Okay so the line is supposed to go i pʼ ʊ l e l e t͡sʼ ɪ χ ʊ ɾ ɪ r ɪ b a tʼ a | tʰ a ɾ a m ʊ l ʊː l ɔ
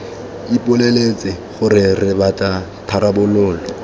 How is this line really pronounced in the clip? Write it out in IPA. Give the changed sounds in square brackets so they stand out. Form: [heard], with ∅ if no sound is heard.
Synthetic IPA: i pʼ ʊ l e l e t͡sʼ ɪ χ ʊ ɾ ɪ r ɪ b a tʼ a | tʰ a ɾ a [b] ʊ l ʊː l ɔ